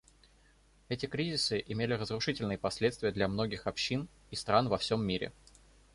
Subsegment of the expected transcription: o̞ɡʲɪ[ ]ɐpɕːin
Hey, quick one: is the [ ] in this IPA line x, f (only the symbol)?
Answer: x